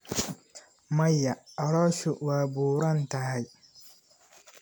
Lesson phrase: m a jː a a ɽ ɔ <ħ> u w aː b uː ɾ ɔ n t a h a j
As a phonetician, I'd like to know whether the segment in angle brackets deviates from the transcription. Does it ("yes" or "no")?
yes